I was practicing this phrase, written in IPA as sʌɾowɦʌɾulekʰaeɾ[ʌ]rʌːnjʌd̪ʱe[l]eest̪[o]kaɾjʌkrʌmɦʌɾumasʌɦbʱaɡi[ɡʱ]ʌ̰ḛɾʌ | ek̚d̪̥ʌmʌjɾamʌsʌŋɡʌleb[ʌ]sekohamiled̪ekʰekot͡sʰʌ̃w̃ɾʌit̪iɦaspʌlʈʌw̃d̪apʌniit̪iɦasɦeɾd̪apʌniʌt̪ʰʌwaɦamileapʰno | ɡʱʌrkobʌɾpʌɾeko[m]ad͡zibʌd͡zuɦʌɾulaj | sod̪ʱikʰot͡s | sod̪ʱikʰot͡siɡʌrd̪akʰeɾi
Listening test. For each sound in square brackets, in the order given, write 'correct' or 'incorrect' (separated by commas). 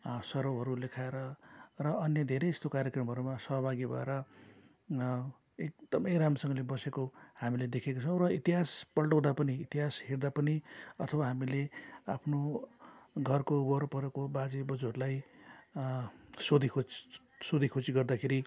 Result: correct, incorrect, correct, incorrect, correct, incorrect